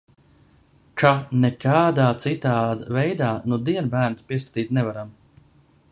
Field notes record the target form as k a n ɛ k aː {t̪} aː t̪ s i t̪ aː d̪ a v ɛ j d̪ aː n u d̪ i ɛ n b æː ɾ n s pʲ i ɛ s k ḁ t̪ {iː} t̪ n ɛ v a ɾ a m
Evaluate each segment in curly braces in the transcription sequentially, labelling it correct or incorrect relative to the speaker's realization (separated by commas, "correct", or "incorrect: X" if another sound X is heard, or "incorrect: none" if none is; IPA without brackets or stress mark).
incorrect: d̪, correct